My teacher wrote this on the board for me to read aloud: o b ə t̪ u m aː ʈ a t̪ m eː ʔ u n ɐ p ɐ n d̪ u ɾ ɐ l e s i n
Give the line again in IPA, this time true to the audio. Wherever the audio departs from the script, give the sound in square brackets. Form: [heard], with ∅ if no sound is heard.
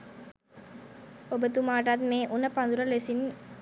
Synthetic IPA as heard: o b ə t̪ u m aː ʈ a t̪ m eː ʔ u n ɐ p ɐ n d̪ u ɾ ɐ l e s i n